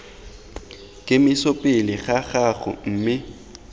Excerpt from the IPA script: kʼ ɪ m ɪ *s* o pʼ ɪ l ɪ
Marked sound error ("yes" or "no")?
no